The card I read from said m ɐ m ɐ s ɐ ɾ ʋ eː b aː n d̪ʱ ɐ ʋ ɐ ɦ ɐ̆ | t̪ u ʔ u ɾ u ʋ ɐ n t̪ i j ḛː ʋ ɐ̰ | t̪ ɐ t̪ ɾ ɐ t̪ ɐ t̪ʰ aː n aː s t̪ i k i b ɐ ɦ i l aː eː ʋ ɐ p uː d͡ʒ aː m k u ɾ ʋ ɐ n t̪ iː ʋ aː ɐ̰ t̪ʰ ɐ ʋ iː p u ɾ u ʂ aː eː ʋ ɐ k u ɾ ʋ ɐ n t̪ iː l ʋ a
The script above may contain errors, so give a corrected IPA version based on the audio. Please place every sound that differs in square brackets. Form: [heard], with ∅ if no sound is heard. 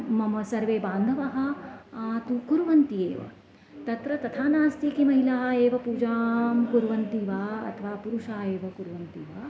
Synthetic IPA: m ɐ m ɐ s ɐ ɾ ʋ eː b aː n d̪ʱ ɐ ʋ ɐ ɦ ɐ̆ | t̪ u [k] u ɾ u ʋ ɐ n t̪ i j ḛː ʋ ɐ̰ | t̪ ɐ t̪ ɾ ɐ t̪ ɐ t̪ʰ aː n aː s t̪ i k i [m] ɐ ɦ i l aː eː ʋ ɐ p uː d͡ʒ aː m k u ɾ ʋ ɐ n t̪ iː ʋ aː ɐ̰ t̪ʰ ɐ ʋ [aː] p u ɾ u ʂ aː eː ʋ ɐ k u ɾ ʋ ɐ n t̪ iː [∅] ʋ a